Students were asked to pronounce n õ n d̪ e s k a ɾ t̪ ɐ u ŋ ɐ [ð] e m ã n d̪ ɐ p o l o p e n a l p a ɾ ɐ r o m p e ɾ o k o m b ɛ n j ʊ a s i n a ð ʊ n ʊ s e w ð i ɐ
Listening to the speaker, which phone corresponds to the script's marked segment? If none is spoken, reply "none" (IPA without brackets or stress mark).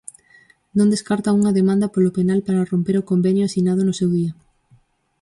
ð